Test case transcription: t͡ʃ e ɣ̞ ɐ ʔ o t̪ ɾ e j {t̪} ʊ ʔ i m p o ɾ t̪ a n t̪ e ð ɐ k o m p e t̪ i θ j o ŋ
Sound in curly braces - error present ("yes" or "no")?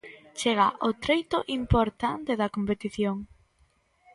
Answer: no